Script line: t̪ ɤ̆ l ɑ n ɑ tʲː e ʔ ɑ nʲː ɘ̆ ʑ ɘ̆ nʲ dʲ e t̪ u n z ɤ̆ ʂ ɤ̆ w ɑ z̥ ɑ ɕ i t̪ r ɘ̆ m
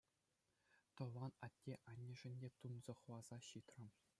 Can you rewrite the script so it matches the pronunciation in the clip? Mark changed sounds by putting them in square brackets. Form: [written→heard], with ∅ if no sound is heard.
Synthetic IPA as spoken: t̪ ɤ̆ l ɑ n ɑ tʲː e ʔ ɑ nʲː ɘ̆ [ʑ→ʐ] ɘ̆ nʲ dʲ e t̪ u n z ɤ̆ [ʂ→χ] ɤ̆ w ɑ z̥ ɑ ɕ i t̪ r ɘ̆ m